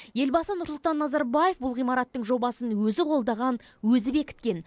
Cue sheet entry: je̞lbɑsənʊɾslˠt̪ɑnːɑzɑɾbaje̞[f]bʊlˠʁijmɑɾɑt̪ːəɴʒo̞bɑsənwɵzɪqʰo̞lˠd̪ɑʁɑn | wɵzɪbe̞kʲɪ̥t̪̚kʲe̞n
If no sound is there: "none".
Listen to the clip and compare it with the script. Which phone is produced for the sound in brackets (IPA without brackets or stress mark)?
f